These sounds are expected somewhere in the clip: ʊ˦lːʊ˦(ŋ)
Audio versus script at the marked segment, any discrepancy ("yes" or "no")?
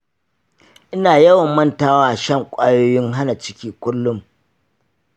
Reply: yes